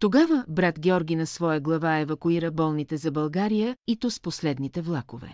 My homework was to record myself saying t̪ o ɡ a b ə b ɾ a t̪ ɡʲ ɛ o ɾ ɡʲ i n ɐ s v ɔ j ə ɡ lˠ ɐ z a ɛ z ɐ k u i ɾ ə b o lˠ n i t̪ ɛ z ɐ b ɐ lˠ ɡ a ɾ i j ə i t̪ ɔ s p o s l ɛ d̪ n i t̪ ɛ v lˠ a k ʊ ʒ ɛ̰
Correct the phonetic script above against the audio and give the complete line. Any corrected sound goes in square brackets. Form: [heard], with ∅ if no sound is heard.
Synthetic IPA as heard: t̪ o ɡ a [v] ə b ɾ a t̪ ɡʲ ɛ [ɔ] ɾ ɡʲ i n ɐ s v ɔ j ə ɡ lˠ ɐ [v] a ɛ [v] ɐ k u i ɾ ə b [ɔ] lˠ n i t̪ ɛ z ɐ b ɐ lˠ ɡ a ɾ i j ə i t̪ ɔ s p o s l ɛ d̪ n i t̪ ɛ v lˠ a k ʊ [v] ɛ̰